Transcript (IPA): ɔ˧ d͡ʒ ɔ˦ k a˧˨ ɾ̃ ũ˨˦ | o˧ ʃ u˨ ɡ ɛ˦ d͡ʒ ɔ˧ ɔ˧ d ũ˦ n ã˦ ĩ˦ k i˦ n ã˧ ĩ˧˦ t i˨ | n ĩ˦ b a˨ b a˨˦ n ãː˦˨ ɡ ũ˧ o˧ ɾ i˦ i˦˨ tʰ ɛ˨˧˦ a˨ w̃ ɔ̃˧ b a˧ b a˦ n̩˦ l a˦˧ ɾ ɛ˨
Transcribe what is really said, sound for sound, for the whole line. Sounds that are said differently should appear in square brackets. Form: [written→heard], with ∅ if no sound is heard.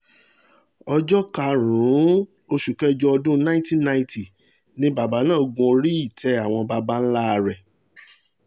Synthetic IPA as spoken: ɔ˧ d͡ʒ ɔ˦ k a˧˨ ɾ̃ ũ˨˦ | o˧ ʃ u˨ [ɡ→k] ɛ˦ d͡ʒ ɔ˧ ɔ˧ d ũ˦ n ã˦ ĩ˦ [k→t] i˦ n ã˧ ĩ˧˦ t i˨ | n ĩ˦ b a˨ b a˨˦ n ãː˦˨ ɡ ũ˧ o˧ ɾ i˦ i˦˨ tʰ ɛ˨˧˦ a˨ w̃ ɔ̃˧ b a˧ b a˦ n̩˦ l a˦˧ ɾ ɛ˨